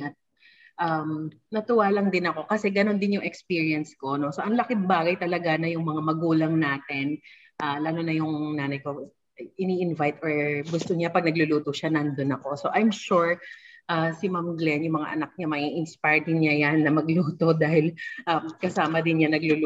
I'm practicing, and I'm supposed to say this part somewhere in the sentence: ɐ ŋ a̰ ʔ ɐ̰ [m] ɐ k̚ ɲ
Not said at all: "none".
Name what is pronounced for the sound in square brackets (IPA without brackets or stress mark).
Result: n